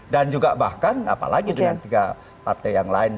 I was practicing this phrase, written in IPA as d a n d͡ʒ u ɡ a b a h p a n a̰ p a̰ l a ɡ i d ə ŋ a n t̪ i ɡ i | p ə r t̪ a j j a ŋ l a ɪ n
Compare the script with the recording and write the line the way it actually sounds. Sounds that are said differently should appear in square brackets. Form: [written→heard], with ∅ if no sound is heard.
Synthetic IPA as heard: d a n d͡ʒ u ɡ a b a h [p→k] a n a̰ p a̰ l a ɡ i d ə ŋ a n t̪ i ɡ [i→a] | p [ə→a] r t̪ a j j a ŋ l a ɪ n